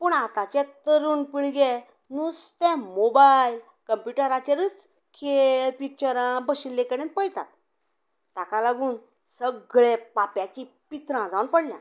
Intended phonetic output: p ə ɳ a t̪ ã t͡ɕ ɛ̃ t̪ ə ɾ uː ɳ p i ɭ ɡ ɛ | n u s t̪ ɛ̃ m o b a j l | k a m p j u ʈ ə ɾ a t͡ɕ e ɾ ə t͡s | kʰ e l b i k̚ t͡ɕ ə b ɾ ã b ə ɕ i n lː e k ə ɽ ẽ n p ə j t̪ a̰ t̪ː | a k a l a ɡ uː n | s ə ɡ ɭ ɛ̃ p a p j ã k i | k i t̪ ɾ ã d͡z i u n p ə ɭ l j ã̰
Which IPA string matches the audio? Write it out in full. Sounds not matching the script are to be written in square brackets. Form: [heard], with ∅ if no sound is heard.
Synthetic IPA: p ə ɳ a t̪ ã t͡ɕ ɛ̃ t̪ ə ɾ uː [n] p i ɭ ɡ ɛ | n u s t̪ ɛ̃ m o b a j l | k [ə] m p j u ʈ ə ɾ a t͡ɕ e ɾ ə t͡s | kʰ e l [p] i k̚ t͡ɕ ə [∅] ɾ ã b ə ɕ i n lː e k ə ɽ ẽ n p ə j t̪ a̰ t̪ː | a k a l a ɡ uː n | s ə ɡ ɭ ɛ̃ p a p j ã k i | [p] i t̪ ɾ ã d͡z [a] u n p ə [ɽ] l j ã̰